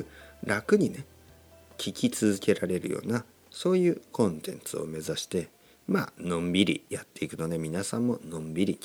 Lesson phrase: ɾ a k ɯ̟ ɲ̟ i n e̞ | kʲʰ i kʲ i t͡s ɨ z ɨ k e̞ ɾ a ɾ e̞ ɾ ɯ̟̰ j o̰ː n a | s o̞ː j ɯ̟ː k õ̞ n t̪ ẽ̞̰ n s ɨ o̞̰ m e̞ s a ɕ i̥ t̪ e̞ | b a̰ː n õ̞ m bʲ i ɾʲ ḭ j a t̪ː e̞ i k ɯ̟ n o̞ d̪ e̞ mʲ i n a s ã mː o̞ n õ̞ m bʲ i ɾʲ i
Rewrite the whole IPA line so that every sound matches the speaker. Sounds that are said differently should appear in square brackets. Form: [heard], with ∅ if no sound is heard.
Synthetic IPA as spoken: ɾ a k ɯ̟ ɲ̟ i n e̞ | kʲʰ i kʲ i t͡s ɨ z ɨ k e̞ ɾ a ɾ e̞ ɾ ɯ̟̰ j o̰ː n a | s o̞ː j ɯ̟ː k õ̞ n t̪ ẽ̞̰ n [t͡s] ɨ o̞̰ m e̞ [z] a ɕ i̥ t̪ e̞ | [m] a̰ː n õ̞ m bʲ i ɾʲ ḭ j a t̪ː e̞ i k ɯ̟ n o̞ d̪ e̞ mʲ i n a s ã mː o̞ n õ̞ m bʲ i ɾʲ i